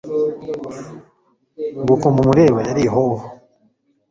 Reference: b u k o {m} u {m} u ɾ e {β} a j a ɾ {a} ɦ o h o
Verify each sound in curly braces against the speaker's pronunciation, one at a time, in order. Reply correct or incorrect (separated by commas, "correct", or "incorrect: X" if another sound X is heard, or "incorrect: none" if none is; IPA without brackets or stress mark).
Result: correct, correct, correct, incorrect: i